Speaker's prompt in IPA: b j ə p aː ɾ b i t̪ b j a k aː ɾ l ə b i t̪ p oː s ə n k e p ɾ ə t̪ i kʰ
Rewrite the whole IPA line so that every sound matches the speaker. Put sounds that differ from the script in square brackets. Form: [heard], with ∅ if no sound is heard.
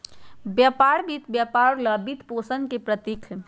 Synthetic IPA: b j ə p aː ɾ b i t̪ b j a [p] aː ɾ l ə b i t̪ p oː s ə n k e p ɾ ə t̪ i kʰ